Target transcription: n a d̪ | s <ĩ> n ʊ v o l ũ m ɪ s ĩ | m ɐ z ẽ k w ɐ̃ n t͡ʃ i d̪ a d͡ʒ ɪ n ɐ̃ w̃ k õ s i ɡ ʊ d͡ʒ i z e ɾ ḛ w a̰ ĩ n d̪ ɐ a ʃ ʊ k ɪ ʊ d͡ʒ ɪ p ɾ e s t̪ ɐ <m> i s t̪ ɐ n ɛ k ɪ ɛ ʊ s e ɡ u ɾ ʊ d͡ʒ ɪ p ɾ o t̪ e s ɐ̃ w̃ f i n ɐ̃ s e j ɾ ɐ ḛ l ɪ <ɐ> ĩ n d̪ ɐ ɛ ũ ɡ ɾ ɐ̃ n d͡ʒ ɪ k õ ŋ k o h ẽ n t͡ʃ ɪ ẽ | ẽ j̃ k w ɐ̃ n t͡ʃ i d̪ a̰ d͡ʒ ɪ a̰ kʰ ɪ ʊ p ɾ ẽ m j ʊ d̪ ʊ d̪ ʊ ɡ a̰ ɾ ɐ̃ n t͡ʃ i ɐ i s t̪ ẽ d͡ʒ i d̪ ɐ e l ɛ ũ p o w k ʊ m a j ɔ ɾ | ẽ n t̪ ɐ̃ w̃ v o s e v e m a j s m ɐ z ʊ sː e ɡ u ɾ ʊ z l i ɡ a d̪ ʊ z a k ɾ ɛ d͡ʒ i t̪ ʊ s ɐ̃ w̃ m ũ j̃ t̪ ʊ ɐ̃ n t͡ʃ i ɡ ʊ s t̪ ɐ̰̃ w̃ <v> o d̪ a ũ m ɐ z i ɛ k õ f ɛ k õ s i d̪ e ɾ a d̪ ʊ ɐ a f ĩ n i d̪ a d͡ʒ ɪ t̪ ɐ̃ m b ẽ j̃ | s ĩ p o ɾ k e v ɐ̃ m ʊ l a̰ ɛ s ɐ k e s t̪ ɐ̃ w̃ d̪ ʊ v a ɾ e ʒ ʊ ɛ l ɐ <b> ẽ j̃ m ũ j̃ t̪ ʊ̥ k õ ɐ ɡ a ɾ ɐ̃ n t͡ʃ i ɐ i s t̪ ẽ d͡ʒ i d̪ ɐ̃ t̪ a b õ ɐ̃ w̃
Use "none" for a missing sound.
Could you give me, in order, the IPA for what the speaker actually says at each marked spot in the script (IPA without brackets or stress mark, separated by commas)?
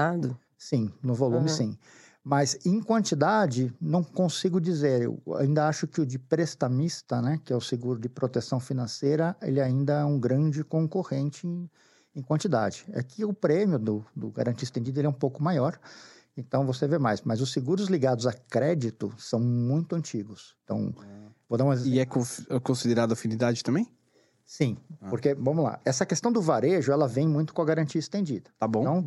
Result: ĩ, m, a, v, v